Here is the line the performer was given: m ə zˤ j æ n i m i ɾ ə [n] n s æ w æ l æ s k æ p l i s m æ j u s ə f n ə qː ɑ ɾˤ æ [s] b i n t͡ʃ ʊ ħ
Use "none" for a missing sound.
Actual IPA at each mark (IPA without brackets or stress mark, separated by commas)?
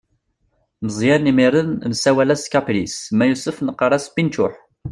n, s